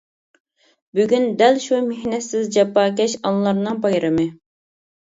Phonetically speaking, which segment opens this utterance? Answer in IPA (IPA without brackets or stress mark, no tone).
b